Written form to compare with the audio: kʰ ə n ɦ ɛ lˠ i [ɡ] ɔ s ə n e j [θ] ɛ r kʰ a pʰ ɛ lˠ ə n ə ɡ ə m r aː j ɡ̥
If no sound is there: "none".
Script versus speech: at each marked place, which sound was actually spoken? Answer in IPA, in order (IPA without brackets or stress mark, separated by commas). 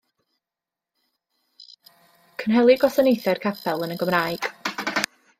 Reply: ɡ, θ